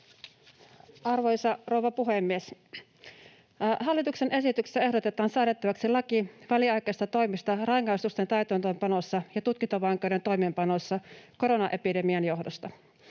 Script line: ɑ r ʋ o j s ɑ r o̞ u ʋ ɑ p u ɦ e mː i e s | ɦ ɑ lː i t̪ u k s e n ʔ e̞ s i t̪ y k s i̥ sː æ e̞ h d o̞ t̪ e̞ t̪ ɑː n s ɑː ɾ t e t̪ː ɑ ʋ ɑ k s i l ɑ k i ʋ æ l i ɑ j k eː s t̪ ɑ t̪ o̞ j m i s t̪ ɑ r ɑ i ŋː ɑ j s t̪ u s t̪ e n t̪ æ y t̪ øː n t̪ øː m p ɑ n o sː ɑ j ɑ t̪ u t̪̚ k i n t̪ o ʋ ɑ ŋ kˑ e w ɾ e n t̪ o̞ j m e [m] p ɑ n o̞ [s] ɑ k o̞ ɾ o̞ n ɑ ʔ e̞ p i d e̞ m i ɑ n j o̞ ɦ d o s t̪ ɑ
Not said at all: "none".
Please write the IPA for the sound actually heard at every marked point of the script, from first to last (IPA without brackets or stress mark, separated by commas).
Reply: m, sː